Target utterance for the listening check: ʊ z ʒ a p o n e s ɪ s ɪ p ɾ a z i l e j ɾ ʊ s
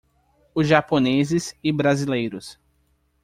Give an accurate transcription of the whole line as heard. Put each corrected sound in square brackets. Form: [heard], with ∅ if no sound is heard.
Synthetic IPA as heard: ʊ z ʒ a p o n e [z] ɪ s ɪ [b] ɾ a z i l e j ɾ ʊ s